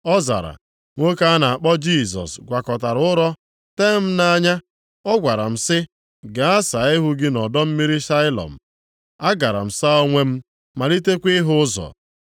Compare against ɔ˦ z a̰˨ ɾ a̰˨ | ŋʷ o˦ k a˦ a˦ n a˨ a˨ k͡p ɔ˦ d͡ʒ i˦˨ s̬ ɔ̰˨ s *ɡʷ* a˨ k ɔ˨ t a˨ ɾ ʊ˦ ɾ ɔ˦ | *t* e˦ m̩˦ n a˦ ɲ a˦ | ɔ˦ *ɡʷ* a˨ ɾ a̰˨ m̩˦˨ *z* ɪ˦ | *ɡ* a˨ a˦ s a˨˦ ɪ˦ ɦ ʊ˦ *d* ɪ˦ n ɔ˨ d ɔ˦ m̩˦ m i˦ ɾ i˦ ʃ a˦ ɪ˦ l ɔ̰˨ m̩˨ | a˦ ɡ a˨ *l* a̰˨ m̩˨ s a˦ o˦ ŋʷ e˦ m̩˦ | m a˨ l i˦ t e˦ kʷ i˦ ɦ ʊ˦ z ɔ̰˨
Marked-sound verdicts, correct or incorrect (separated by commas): correct, correct, correct, incorrect, correct, incorrect, incorrect